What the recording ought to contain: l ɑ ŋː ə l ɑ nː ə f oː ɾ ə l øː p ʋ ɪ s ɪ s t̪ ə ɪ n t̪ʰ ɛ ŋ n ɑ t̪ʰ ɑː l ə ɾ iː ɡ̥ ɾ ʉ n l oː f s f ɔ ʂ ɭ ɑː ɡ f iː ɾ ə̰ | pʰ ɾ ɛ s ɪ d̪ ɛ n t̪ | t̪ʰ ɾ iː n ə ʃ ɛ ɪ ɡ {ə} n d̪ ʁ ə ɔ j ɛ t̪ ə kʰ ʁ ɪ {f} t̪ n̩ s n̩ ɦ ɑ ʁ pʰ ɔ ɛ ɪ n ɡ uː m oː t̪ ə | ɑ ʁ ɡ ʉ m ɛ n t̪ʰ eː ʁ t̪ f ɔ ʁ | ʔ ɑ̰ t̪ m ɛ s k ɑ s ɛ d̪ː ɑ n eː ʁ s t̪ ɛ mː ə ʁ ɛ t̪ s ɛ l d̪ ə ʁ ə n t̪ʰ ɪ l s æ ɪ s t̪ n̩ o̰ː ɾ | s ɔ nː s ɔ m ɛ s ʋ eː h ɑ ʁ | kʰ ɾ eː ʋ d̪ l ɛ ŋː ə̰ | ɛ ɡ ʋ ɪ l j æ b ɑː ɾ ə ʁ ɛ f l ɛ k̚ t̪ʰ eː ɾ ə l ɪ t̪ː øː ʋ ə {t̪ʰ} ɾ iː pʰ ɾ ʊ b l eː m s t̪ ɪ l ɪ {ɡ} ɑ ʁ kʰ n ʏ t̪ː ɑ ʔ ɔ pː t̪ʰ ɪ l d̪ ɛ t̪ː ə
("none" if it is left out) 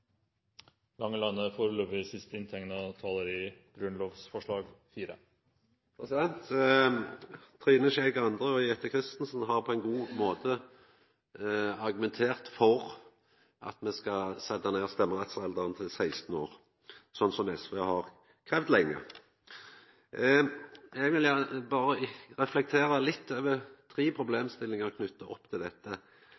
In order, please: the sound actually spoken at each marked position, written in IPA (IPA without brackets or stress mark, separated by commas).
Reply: ɑ, s, t̪ʰ, ŋ